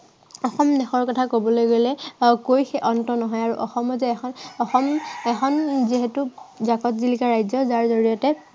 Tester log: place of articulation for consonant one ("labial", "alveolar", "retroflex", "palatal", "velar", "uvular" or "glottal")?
velar